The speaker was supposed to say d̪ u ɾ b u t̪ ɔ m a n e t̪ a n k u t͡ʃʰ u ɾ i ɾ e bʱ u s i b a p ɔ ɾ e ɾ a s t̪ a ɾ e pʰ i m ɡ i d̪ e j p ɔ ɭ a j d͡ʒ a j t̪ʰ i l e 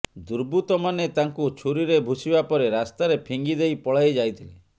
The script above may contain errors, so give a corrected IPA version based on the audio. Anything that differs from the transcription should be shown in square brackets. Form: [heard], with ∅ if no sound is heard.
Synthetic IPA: d̪ u ɾ b u t̪ ɔ m a n e t̪ a [ŋ] k u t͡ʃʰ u ɾ i ɾ e bʱ u s i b a p ɔ ɾ e ɾ a s t̪ a ɾ e pʰ i [ŋ] ɡ i d̪ e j p ɔ ɭ a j d͡ʒ a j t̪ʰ i l e